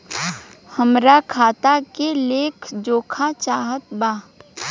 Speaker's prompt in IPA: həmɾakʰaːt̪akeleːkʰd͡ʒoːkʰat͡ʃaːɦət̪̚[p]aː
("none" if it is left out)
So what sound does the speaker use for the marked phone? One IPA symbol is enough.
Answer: b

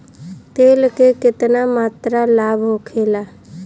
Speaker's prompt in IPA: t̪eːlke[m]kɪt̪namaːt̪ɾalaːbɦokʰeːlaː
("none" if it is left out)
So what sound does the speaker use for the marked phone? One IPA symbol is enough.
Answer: none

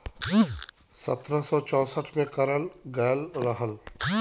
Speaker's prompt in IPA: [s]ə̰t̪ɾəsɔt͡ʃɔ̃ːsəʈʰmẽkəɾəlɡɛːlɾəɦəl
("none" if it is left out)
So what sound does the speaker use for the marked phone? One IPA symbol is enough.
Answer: s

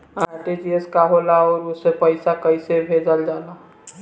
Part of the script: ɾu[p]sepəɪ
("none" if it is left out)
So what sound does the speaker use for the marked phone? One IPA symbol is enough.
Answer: none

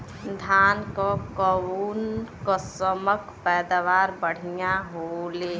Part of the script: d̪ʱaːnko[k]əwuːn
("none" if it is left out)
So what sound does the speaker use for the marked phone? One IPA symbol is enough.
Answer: k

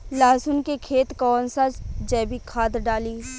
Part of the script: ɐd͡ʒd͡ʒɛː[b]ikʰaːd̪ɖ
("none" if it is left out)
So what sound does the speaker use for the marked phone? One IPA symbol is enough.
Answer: b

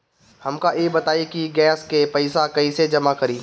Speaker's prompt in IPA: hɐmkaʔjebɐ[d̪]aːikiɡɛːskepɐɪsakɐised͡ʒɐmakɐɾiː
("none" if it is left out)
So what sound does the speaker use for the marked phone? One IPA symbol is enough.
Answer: t̪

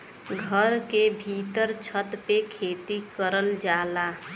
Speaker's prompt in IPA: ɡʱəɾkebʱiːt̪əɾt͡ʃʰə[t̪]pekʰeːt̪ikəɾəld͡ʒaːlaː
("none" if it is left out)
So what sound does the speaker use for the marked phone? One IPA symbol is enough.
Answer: t̪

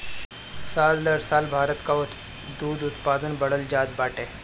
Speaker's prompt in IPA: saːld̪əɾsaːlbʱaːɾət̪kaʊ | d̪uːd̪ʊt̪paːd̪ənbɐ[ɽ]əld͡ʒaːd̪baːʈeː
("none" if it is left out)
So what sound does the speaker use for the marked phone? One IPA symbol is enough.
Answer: ɽ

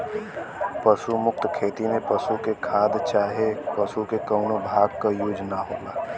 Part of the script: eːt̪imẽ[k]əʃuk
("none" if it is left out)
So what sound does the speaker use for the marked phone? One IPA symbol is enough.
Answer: p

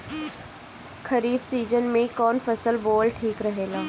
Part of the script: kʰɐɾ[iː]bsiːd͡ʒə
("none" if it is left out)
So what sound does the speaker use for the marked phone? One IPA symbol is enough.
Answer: iː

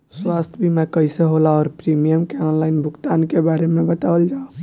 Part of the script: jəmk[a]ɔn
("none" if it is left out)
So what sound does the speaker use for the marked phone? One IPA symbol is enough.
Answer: e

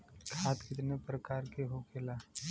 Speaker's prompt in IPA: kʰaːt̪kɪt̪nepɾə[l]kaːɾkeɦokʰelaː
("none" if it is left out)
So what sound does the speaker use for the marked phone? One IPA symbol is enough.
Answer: none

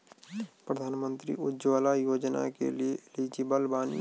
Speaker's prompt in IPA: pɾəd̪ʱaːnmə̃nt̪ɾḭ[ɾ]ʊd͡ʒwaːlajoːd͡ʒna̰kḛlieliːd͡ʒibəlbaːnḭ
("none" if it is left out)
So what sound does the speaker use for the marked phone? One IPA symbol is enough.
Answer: none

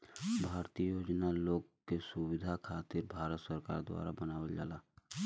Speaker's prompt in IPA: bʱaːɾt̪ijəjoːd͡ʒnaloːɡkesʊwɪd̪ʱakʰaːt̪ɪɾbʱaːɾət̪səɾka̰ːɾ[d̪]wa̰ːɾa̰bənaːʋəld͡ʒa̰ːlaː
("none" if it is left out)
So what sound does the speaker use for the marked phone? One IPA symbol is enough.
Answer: d̪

